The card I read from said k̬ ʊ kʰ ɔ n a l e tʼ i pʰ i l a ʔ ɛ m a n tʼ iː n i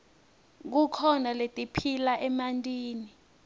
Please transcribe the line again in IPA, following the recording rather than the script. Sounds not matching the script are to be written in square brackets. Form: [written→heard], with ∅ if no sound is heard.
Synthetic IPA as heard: k̬ [ʊ→u] kʰ ɔ n a l e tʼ i pʰ i l a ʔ ɛ m a n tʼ iː n i